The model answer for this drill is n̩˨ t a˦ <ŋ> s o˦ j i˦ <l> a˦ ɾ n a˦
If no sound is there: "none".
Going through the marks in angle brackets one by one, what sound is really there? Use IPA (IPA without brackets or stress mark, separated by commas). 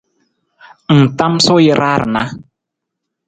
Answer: m, ɾ